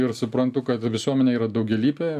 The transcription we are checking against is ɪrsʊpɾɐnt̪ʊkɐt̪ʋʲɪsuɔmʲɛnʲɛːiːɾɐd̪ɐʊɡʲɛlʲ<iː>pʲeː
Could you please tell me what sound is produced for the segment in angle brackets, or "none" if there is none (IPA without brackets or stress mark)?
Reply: iː